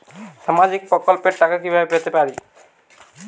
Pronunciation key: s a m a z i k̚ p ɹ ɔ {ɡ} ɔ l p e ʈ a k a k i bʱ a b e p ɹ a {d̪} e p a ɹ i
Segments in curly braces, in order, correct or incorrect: incorrect, incorrect

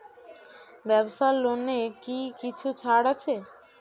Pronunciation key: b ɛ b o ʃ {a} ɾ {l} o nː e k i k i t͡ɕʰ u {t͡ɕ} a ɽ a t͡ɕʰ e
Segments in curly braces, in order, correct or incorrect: correct, correct, incorrect

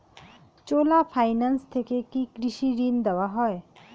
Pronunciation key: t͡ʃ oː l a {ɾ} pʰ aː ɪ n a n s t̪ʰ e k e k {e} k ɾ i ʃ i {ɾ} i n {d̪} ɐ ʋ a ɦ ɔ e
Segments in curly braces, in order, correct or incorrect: incorrect, incorrect, correct, correct

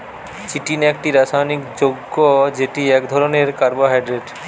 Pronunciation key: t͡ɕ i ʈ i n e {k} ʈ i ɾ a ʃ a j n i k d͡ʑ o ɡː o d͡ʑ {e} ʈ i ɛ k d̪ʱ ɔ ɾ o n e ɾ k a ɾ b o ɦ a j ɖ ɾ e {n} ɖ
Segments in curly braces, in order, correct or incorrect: correct, correct, incorrect

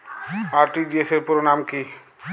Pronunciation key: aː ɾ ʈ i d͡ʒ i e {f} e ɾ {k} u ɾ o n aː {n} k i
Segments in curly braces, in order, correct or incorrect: incorrect, incorrect, incorrect

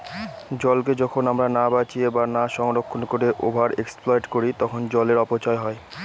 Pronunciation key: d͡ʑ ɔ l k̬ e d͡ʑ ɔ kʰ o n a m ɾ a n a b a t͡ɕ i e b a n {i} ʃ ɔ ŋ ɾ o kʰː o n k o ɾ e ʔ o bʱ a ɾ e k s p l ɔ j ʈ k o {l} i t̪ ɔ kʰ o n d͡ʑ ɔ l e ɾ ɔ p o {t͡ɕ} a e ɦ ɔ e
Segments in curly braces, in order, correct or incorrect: incorrect, incorrect, correct

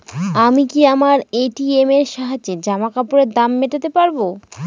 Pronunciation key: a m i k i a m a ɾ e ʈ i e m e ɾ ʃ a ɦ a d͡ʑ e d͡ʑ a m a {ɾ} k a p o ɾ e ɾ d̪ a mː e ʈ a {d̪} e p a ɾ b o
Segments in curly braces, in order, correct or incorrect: incorrect, incorrect

